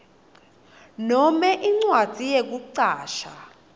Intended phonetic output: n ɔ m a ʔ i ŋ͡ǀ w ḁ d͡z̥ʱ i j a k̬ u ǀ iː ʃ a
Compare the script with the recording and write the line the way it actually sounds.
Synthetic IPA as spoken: n ɔ m ɛ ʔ i ŋ͡ǀ w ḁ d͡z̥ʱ i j e k̬ u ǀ aː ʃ a